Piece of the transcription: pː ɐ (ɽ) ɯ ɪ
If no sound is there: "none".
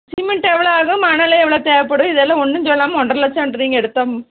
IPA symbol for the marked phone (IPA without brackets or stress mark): ɽ